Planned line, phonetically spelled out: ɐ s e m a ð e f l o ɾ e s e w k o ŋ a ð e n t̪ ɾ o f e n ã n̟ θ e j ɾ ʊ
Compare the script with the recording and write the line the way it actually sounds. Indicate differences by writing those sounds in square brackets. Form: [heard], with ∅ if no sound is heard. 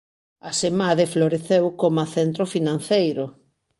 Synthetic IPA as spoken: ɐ s e m a ð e f l o ɾ e [θ] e w k o [m] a [θ] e n t̪ ɾ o f [i] n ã n̟ θ e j ɾ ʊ